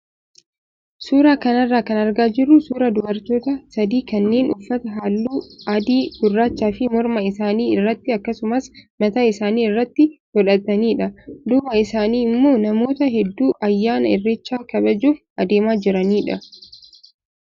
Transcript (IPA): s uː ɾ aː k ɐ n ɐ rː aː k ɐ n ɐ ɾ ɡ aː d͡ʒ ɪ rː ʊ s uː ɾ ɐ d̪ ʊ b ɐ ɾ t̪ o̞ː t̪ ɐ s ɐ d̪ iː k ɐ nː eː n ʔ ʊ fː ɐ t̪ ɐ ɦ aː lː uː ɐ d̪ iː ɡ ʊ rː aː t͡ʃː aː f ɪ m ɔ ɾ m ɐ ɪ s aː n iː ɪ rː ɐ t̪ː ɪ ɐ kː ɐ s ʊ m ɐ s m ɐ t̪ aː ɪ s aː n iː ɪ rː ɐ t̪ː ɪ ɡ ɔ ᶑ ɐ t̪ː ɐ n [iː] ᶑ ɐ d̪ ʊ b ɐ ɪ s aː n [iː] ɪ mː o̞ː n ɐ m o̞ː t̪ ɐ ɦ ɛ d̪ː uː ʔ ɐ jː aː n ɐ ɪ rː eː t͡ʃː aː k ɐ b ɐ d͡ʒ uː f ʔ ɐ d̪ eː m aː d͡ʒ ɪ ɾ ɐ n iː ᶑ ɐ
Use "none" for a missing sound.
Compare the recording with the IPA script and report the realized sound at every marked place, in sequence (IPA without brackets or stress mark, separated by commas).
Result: iː, iː